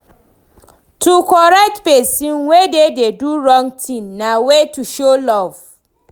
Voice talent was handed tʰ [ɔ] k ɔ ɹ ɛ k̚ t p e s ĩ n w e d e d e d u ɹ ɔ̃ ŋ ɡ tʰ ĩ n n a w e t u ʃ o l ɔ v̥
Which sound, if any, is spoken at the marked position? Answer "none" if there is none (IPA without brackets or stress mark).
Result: u